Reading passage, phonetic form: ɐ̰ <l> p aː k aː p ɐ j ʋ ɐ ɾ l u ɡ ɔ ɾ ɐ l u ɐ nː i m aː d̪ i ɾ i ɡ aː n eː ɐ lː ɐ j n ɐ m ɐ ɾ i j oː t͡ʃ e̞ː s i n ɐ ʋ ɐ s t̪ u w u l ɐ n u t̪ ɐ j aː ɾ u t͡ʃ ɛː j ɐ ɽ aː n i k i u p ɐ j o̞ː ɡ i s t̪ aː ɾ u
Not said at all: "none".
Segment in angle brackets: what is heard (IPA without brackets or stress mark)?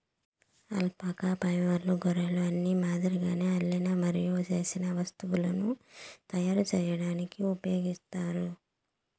l